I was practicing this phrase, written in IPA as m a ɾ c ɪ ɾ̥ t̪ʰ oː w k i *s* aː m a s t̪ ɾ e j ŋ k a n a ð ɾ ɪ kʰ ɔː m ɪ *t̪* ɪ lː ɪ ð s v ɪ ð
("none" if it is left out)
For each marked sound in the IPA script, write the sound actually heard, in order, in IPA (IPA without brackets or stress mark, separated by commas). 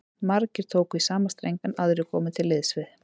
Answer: s, t̪ʰ